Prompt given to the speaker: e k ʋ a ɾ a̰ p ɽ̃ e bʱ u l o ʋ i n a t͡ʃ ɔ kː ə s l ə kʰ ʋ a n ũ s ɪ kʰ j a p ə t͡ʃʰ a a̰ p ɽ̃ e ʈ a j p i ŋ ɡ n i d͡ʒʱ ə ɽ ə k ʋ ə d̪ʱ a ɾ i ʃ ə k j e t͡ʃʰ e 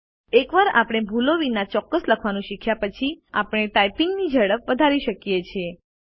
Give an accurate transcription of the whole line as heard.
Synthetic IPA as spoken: e k ʋ a ɾ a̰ p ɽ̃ e bʱ u l o ʋ i n a t͡ʃ ɔ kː ə s l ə kʰ ʋ a n ũ ʃ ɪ kʰ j a p ə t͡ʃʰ i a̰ p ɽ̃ e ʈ a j p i ŋ ɡ n i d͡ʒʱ ə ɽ ə p ʋ ə d̪ʱ a ɾ i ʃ ə k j e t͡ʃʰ e